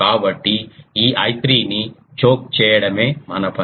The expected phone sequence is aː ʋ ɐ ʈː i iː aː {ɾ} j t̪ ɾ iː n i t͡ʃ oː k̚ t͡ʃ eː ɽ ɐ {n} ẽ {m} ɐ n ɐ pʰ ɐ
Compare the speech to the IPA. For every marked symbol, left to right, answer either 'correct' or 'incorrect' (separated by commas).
incorrect, incorrect, correct